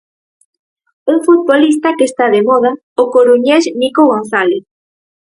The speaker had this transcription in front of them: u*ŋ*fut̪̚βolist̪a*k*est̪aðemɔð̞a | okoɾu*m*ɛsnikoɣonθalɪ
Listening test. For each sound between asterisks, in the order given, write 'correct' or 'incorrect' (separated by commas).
correct, correct, incorrect